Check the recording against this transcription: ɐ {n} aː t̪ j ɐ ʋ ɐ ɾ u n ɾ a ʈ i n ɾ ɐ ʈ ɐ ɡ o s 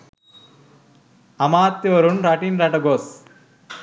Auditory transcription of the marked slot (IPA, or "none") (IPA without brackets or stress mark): m